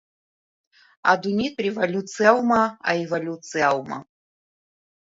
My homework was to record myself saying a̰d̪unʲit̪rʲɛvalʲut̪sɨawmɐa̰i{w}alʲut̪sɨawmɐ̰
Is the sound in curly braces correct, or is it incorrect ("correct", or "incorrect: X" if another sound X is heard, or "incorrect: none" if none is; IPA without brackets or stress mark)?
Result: incorrect: v